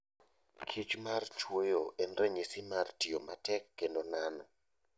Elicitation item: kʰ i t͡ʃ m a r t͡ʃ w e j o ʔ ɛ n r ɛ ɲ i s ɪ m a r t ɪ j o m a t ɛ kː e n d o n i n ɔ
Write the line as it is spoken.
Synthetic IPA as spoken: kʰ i t͡ʃ m a r t͡ʃ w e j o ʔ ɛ n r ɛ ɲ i s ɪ m a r t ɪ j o m a t ɛ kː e n d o n a n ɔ

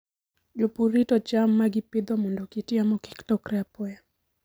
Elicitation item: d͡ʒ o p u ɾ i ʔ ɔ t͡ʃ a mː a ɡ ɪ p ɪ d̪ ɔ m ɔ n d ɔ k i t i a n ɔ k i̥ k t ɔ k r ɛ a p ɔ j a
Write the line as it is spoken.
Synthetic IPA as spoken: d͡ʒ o p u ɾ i t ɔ t͡ʃ a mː a ɡ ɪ p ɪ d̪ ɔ m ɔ n d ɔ k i t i a m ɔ k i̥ k t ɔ k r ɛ a p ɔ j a

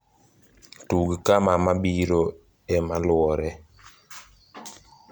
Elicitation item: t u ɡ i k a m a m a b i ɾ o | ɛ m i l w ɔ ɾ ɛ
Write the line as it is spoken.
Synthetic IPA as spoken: t u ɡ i k a m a m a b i ɾ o | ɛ m a l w ɔ ɾ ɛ

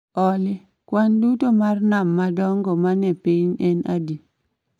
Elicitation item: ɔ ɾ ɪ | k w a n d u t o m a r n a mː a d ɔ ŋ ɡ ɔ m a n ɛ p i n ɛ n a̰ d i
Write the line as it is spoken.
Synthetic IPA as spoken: ɔ l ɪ | k w a n d u t o m a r n a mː a d ɔ ŋ ɡ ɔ m a n ɛ p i ɲ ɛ n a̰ d i

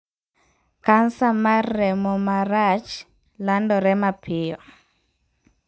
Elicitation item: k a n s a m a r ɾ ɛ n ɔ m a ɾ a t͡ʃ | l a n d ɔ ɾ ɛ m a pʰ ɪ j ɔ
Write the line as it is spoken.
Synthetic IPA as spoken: k a n s a m a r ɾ ɛ m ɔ m a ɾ a t͡ʃ | l a n d ɔ ɾ ɛ m a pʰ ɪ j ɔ

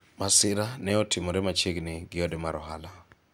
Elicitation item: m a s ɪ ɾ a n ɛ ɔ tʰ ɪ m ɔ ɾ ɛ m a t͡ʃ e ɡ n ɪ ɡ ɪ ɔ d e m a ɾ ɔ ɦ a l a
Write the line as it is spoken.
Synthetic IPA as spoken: m a s ɪ ɾ a n ɛ ɔ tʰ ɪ m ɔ ɾ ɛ m a t͡ʃ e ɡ n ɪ ɡ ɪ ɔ d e m a ɾ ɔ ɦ a l a

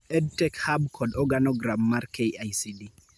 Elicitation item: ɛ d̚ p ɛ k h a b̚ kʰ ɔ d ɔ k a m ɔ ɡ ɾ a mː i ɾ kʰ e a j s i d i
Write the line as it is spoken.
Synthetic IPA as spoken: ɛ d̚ t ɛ k h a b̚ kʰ ɔ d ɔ ɡ a n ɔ ɡ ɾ a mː a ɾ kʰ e a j s i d i

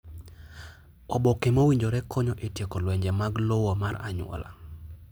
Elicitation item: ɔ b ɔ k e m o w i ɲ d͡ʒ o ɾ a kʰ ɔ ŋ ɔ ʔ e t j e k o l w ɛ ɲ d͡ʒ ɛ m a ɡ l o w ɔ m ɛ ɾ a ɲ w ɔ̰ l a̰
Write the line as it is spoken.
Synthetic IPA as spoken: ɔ b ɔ k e m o w i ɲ d͡ʒ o ɾ ɛ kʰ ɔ ɲ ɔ ʔ e t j e k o l w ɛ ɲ d͡ʒ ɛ m a ɡ l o w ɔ m a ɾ a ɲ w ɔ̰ l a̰

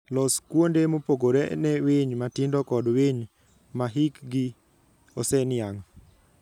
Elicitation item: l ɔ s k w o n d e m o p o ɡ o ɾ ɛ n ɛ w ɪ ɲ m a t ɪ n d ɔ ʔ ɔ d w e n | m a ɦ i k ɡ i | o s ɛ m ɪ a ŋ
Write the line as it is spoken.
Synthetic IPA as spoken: l ɔ s k w o n d e m o p o ɡ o ɾ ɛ n ɛ w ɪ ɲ m a t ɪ n d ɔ k ɔ d w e ɲ | m a ɦ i k ɡ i | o s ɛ n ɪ a ŋ

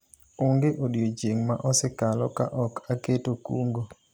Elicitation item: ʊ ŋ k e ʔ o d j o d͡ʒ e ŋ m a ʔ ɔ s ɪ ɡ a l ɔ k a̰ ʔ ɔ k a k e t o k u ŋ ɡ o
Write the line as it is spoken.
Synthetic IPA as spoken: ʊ ŋ ɡ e ʔ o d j o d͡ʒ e ŋ m a ʔ ɔ s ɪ k a l ɔ k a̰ ʔ ɔ k a k e t o k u ŋ ɡ o

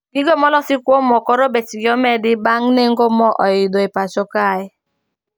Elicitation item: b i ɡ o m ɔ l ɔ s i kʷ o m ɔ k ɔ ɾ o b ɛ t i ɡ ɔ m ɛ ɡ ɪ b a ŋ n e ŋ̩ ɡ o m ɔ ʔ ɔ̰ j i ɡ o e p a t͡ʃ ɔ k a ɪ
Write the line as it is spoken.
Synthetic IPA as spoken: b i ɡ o m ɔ l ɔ s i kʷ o m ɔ k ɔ ɾ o b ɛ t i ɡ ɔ m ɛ d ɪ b a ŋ n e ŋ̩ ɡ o m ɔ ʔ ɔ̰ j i d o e p a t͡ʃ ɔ k a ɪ

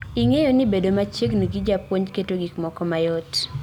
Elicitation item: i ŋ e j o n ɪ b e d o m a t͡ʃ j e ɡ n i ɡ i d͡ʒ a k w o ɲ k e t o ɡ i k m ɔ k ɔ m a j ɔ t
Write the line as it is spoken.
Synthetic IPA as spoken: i ŋ e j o n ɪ b e d o m a t͡ʃ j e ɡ n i ɡ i d͡ʒ a p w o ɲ k e t o ɡ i k m ɔ k ɔ m a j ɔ t

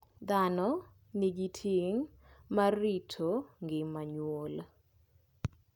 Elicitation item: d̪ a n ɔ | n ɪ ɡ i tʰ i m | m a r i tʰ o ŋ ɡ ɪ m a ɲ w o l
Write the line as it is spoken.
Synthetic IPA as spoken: d̪ a n ɔ | n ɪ ɡ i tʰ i ŋ | m a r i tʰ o ŋ ɡ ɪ m a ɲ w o l

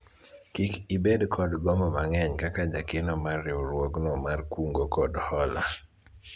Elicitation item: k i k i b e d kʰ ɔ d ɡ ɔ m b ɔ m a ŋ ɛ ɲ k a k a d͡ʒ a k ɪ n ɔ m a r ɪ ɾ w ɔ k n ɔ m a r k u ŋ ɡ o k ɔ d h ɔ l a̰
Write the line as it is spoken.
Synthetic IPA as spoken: k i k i b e d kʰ ɔ d ɡ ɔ m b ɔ m a ŋ ɛ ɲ k a k a d͡ʒ a k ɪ n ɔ m a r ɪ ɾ w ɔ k n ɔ m a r k u ŋ ɡ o k ɔ d h ɔ l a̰

